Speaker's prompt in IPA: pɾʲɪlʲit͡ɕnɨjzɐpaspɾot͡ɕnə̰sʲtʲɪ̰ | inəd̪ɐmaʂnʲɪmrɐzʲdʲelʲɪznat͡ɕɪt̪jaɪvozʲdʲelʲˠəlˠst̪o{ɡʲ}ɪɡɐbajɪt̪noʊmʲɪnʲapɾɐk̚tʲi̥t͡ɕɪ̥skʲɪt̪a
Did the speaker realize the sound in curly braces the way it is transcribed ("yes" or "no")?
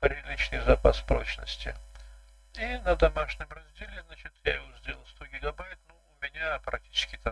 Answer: yes